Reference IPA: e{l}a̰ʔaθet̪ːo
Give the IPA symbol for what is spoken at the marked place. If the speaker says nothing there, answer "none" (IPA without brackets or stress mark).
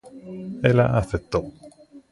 l